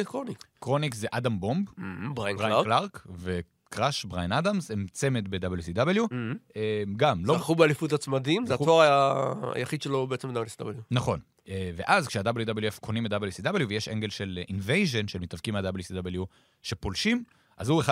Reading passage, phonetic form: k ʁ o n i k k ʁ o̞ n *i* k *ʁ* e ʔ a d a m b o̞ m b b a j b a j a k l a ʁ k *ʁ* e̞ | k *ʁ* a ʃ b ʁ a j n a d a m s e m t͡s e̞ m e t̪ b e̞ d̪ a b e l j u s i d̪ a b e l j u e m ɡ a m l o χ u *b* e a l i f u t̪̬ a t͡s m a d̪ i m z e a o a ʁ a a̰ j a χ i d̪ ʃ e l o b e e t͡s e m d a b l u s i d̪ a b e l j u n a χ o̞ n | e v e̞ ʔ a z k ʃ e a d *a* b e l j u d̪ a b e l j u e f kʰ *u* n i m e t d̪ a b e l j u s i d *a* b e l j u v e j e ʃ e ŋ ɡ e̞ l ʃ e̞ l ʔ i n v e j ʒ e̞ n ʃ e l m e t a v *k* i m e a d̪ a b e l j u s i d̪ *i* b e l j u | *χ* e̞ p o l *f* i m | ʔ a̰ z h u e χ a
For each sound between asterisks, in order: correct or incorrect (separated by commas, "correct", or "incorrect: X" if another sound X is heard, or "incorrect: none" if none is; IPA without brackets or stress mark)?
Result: correct, incorrect: z, incorrect: v, correct, correct, correct, incorrect: o, correct, correct, incorrect: a, incorrect: ʃ, incorrect: ʃ